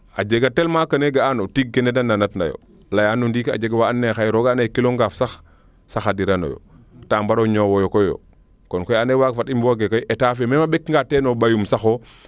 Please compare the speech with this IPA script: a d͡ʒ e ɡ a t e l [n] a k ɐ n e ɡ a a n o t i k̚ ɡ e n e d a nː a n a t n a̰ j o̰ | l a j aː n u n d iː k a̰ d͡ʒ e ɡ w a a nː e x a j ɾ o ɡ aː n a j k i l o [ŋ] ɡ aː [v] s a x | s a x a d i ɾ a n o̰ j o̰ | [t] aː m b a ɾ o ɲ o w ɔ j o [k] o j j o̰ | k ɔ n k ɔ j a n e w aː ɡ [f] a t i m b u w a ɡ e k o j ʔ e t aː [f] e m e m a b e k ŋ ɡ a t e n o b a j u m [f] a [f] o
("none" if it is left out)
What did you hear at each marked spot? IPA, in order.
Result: m, ŋ, f, t, k, f, f, s, x

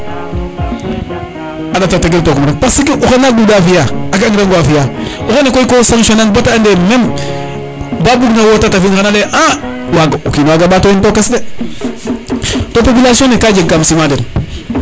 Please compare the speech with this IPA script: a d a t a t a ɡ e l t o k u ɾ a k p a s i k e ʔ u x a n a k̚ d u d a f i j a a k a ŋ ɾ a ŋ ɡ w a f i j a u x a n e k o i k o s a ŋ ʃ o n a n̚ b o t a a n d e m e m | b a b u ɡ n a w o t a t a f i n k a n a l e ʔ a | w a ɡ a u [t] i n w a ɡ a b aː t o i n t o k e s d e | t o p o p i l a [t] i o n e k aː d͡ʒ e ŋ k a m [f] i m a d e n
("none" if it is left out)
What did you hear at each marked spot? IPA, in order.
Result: k, s, s

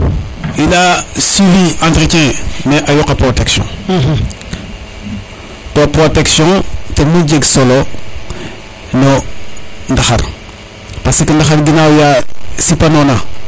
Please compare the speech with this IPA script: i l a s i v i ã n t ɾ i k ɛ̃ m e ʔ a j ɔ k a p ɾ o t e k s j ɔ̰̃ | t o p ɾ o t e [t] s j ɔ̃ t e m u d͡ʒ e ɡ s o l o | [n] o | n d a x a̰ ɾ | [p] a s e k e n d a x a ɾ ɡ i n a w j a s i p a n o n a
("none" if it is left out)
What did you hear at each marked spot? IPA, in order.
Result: k, n, p

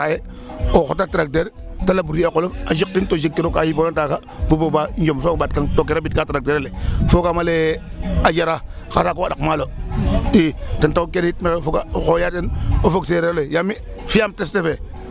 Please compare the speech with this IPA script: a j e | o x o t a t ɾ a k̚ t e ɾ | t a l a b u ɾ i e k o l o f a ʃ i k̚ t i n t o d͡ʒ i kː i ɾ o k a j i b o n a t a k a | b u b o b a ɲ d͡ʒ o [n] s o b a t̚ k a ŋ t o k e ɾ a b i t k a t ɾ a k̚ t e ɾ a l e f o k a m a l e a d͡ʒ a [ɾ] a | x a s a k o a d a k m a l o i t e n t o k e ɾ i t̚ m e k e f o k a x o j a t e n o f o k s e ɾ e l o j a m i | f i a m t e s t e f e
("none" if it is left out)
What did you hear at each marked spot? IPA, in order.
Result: m, ɾ

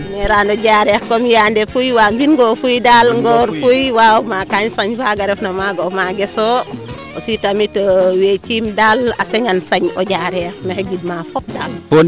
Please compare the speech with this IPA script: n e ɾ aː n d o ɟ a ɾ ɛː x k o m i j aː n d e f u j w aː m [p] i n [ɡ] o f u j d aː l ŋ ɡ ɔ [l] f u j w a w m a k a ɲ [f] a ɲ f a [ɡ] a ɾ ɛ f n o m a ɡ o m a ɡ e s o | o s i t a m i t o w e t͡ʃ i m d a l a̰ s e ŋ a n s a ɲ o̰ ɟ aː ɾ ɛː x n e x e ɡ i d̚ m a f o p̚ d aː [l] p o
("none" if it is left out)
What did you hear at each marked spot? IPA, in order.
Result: b, ɡ, ɾ, s, ɡ, l

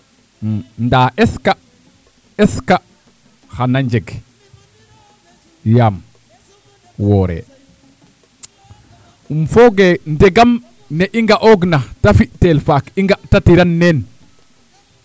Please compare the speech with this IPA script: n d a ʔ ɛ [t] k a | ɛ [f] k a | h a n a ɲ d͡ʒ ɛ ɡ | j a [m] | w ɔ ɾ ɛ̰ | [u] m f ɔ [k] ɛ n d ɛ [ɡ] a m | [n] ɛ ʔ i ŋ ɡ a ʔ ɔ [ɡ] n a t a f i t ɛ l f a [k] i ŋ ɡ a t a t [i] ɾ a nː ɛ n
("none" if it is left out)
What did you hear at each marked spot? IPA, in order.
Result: s, s, m, u, ɡ, ɡ, n, ɡ, k, i

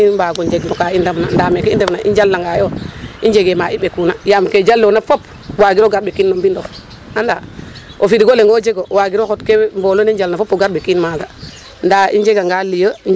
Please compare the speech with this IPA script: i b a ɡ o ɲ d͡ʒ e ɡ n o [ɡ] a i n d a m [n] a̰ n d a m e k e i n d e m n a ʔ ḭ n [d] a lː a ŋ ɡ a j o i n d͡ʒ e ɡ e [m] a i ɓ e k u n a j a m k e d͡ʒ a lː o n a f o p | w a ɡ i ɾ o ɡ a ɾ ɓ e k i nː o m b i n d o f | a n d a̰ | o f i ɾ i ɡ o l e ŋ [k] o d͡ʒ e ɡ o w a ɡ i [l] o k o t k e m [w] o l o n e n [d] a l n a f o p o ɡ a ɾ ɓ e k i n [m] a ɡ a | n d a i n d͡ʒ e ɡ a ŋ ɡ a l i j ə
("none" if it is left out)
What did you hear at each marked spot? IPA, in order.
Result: k, n, d͡ʒ, m, ɡ, ɾ, b, d͡ʒ, m

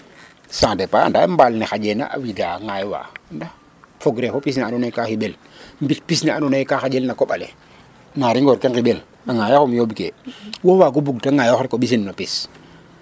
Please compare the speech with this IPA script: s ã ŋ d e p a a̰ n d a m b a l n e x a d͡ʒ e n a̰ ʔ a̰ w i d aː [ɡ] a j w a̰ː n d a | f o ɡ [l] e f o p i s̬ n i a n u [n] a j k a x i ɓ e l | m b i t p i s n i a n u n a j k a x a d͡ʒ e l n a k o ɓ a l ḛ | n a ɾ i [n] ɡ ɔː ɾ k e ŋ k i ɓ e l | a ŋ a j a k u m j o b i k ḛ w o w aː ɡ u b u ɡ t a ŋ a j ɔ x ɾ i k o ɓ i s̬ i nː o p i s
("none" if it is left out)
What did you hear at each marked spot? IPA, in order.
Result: ŋ, ɾ, n, ŋ

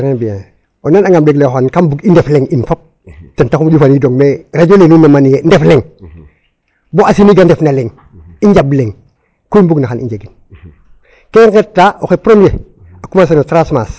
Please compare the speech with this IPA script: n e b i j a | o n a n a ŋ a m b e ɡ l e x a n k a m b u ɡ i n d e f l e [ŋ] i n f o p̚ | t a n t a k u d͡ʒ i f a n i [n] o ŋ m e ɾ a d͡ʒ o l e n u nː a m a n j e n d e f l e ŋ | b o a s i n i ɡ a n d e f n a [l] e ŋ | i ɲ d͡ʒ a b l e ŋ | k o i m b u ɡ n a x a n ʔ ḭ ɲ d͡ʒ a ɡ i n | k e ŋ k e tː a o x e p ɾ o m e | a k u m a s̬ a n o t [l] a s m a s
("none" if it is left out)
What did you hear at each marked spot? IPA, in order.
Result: ŋ, d, l, ɾ

